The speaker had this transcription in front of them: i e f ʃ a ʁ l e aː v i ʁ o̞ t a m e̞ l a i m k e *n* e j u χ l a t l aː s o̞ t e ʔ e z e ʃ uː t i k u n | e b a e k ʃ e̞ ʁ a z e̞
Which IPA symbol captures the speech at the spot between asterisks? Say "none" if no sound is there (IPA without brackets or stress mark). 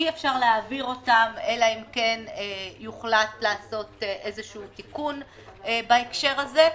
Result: n